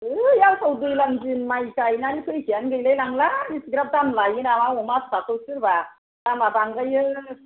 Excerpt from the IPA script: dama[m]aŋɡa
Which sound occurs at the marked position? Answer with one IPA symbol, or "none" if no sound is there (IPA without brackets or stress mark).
b